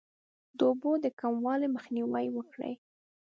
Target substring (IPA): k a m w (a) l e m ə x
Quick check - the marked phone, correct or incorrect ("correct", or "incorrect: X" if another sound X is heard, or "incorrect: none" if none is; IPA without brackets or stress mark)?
incorrect: ɑ